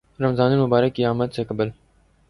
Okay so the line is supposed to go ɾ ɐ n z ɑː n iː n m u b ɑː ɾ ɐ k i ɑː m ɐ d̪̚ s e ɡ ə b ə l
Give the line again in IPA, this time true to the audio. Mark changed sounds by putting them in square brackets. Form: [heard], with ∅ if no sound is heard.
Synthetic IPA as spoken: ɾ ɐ [m] z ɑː n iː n m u b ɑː ɾ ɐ k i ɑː m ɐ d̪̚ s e [k] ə b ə l